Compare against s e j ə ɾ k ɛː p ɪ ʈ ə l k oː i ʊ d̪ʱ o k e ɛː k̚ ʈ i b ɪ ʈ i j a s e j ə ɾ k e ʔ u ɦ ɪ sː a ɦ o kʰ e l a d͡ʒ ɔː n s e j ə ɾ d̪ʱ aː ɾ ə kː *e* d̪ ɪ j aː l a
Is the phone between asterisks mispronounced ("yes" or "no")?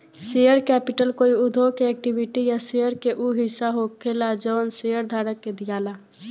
no